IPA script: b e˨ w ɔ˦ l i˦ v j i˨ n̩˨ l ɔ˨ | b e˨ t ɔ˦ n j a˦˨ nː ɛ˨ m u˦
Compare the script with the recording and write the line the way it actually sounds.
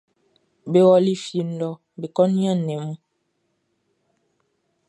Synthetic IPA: b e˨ w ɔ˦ l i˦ f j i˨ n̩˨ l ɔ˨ | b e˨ k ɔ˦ n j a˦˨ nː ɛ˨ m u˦

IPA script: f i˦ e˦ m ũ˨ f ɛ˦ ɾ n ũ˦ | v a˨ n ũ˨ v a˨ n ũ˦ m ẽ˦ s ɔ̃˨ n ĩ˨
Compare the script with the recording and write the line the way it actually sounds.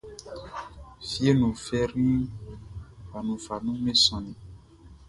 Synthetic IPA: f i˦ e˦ n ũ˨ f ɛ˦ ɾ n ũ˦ | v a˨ n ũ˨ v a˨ n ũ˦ m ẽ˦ s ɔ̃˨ n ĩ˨

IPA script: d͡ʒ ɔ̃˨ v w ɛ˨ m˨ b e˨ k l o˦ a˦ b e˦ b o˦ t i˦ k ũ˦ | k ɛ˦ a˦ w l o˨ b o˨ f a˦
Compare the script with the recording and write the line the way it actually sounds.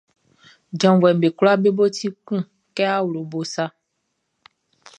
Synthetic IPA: d͡ʒ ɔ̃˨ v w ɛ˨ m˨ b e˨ k l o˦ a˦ b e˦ b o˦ t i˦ k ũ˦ | k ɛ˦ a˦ w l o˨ b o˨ s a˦

